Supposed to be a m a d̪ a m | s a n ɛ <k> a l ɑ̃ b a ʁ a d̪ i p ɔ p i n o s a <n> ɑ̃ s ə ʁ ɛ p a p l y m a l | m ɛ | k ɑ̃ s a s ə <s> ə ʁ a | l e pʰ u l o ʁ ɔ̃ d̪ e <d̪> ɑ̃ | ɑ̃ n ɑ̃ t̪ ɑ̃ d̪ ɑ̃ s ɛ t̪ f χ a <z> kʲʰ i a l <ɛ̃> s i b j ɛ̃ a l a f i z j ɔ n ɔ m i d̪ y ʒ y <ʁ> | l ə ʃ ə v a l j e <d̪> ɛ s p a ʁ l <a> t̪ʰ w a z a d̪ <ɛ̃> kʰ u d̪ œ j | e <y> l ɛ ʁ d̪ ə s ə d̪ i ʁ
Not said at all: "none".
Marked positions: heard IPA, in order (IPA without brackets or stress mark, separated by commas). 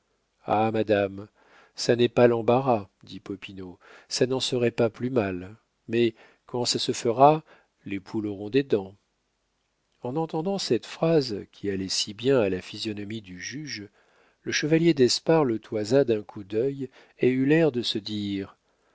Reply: p, n, f, d̪, z, ɛ, ʒ, d̪, ə, ɛ̃, y